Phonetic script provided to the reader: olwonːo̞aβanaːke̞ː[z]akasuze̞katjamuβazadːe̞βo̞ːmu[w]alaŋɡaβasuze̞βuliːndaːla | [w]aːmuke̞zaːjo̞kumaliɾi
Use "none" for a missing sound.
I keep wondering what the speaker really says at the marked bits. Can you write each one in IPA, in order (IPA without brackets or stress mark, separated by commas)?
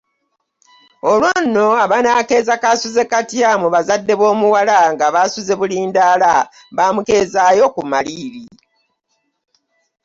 z, w, β